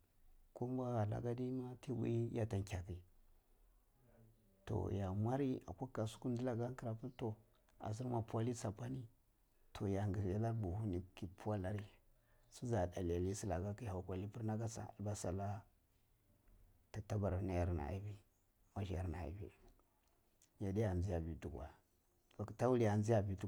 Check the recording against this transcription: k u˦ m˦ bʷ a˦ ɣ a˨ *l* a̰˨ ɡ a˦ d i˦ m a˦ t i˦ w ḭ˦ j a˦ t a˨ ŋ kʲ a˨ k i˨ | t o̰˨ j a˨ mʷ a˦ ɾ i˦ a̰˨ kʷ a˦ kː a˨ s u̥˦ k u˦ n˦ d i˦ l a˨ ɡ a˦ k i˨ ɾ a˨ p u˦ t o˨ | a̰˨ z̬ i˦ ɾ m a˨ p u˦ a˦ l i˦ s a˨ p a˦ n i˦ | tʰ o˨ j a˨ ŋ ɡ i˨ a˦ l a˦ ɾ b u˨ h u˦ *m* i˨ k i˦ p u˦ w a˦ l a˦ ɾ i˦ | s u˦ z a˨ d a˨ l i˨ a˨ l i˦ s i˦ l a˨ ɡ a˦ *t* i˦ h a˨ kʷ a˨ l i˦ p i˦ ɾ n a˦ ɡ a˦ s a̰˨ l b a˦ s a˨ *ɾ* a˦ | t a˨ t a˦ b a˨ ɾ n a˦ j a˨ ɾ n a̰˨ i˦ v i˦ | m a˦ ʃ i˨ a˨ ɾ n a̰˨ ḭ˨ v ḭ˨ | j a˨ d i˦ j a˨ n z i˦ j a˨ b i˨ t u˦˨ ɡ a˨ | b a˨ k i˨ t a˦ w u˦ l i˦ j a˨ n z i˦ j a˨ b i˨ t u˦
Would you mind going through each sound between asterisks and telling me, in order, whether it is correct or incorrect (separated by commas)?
correct, incorrect, incorrect, incorrect